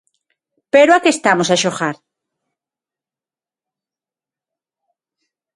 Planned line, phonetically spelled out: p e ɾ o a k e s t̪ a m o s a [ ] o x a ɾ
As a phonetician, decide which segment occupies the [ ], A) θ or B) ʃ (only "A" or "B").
B